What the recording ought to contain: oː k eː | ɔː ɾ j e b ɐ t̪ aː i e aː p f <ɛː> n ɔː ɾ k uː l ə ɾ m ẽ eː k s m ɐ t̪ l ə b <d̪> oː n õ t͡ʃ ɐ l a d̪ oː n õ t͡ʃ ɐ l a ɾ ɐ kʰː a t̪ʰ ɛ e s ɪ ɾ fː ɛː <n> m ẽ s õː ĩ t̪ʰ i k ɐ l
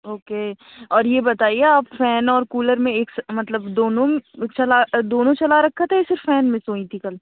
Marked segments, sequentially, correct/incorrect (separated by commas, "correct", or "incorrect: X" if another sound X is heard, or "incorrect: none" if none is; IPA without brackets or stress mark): correct, correct, correct